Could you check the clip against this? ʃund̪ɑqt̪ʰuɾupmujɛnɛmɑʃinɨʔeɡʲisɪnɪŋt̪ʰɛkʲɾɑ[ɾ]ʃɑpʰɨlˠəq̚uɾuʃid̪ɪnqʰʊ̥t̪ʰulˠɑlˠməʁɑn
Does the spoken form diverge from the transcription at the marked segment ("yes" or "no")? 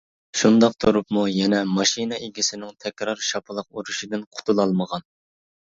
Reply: no